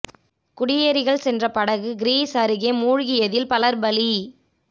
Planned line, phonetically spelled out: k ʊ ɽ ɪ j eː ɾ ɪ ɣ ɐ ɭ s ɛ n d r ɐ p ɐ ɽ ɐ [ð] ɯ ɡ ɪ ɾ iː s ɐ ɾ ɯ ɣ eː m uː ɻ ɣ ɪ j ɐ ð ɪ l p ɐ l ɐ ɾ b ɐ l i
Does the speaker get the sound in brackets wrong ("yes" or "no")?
yes